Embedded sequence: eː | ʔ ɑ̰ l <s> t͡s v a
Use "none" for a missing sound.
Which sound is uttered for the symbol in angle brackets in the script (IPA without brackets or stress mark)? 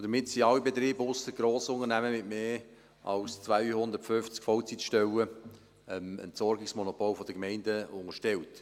s